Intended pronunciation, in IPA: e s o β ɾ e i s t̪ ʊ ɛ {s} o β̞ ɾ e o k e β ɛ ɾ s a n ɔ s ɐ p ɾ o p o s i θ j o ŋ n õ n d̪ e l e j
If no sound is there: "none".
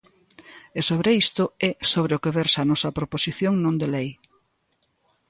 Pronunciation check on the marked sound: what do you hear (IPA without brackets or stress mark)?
s